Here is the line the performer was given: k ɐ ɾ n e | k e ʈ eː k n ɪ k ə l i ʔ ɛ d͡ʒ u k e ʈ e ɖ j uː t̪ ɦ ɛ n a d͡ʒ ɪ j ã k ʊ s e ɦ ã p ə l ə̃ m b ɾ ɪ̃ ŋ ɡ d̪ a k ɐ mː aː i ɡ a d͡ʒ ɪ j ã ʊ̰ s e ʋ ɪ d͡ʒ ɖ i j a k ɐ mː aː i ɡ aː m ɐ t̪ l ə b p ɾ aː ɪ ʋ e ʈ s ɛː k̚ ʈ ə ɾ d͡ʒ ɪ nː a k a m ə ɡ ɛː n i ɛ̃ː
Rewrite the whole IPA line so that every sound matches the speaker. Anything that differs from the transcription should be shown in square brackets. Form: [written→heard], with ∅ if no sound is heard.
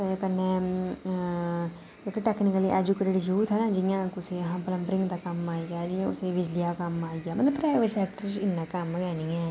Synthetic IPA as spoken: k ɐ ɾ n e | k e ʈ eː k n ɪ k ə l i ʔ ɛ d͡ʒ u k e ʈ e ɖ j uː t̪ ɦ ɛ n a d͡ʒ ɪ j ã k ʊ s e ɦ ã p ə l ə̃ m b ɾ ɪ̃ ŋ ɡ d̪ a k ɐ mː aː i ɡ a d͡ʒ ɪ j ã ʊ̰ s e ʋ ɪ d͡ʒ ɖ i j a k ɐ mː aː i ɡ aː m ɐ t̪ l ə b p ɾ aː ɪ ʋ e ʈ s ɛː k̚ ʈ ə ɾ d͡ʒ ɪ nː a k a m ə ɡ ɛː n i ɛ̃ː